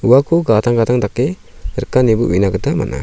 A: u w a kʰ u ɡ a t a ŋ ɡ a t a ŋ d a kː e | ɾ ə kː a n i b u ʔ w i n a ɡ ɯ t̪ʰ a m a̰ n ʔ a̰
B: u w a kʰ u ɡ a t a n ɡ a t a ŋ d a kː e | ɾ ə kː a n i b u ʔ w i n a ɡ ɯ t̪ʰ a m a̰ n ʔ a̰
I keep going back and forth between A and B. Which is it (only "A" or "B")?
A